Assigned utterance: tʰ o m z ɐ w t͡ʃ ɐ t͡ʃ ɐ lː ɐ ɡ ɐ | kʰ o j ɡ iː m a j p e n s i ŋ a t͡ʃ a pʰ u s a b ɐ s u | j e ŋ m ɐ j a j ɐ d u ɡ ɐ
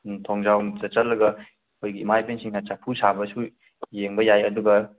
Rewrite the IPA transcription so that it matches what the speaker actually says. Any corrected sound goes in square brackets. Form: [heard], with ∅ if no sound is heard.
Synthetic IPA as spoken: tʰ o [ŋ] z [a] w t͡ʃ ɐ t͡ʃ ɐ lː ɐ ɡ ɐ | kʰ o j ɡ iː m a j p e n s i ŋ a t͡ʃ a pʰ u s a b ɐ s u | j e ŋ [b] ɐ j a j ɐ d u ɡ ɐ